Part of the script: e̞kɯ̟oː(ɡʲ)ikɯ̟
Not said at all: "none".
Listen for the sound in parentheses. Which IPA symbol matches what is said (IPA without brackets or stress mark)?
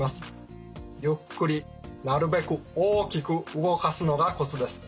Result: kʲ